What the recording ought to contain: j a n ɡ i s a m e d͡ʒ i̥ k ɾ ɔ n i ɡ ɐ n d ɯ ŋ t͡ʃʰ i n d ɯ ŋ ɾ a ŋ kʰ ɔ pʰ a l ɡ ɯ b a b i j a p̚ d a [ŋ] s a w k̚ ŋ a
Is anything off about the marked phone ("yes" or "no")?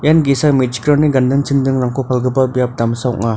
yes